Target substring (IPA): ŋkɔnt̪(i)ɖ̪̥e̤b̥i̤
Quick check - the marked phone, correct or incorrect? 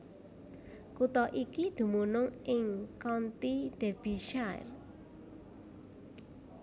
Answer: correct